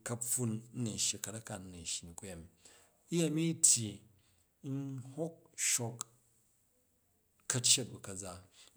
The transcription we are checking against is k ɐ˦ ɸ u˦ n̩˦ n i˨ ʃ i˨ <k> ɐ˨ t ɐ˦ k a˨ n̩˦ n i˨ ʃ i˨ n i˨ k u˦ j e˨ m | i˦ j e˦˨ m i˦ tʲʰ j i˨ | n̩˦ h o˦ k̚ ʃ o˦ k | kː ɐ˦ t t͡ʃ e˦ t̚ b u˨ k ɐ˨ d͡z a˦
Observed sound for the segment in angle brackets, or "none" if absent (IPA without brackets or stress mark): k